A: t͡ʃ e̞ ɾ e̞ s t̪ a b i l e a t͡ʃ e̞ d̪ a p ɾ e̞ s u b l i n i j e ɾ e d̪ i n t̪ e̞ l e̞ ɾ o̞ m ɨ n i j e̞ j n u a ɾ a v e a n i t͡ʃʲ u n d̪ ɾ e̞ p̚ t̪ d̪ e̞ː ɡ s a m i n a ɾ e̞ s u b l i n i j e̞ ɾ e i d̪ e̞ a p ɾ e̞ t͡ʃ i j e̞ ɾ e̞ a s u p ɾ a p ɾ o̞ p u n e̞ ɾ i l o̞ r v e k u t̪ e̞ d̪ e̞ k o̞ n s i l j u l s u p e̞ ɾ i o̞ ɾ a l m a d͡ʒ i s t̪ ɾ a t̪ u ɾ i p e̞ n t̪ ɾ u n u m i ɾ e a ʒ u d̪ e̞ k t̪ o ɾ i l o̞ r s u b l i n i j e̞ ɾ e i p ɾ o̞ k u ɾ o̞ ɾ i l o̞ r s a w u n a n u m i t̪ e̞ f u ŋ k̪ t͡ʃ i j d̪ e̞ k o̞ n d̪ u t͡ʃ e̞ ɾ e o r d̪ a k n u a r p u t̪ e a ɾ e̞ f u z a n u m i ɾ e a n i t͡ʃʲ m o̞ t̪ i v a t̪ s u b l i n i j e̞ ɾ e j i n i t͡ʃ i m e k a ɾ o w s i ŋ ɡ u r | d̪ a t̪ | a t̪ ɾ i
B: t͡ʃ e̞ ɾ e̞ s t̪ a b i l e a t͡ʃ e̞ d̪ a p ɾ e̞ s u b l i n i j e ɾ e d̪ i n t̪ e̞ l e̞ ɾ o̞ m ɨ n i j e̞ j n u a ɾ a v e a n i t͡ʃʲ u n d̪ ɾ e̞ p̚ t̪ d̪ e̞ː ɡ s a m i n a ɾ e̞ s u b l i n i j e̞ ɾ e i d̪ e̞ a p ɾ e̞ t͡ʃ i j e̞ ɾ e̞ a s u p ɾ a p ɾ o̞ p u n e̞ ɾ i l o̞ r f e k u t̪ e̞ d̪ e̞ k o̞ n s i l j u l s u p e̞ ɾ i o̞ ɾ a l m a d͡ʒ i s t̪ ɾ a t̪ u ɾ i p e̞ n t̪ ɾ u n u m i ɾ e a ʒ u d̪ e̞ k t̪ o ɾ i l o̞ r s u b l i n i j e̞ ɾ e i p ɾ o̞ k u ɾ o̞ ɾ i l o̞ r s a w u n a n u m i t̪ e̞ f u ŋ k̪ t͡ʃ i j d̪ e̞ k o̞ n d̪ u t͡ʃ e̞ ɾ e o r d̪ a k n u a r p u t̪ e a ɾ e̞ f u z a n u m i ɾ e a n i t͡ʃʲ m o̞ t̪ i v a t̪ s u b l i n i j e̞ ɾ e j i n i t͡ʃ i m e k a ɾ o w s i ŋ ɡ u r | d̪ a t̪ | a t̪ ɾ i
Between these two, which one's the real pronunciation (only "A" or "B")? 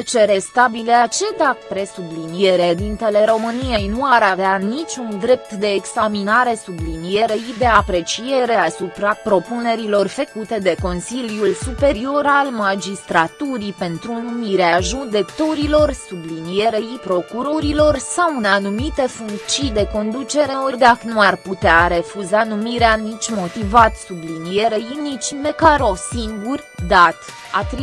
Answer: B